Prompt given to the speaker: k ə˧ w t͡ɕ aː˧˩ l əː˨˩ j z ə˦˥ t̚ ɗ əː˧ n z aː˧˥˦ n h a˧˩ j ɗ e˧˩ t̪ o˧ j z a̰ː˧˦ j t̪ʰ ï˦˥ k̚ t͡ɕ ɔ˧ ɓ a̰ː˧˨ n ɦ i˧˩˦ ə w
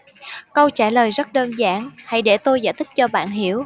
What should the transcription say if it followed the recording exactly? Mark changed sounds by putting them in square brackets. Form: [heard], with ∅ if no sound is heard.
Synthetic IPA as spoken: k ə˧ w t͡ɕ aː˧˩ l əː˨˩ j z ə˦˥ t̚ ɗ əː˧ n z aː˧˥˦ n h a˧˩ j ɗ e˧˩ t̪ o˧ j z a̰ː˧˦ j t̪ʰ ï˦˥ k̚ t͡ɕ ɔ˧ ɓ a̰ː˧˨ n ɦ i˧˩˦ ə w